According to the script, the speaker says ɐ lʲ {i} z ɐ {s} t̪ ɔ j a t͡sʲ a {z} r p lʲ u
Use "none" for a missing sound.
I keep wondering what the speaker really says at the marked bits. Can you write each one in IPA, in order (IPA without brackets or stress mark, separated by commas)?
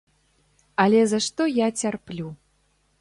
ɛ, ʂ, none